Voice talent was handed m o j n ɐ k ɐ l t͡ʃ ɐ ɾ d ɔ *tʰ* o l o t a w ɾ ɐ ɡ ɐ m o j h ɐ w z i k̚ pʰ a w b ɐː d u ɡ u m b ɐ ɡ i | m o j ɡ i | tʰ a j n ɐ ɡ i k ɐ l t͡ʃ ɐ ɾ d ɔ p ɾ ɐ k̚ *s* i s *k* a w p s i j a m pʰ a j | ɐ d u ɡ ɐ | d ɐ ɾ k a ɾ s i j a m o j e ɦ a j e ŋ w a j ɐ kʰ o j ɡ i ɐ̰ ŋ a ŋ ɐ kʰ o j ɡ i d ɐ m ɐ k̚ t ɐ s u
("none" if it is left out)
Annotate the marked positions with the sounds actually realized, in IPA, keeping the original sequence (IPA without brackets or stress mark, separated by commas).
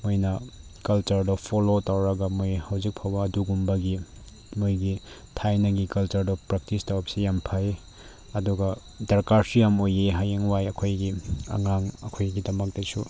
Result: pʰ, t, t